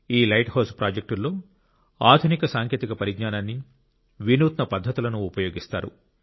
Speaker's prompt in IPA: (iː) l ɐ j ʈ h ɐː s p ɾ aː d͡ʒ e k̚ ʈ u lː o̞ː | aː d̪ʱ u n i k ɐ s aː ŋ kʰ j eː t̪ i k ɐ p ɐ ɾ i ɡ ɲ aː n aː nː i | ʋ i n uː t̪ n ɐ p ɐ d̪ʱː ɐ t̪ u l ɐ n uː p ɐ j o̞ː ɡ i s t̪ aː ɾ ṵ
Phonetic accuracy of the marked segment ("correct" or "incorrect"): correct